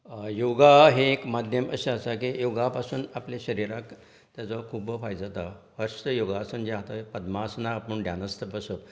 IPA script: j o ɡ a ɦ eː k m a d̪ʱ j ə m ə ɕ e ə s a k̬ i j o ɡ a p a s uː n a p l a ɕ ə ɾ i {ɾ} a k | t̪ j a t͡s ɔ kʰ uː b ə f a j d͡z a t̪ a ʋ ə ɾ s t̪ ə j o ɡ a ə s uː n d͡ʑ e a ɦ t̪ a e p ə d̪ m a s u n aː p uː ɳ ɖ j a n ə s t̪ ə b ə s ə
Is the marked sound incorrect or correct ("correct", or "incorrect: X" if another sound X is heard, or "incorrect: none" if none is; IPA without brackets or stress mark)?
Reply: correct